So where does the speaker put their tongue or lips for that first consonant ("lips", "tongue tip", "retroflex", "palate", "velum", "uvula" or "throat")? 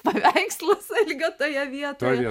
lips